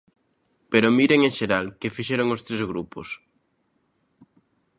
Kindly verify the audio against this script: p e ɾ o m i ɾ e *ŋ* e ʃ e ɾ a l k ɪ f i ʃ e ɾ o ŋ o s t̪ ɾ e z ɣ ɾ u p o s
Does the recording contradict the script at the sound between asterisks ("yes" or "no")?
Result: no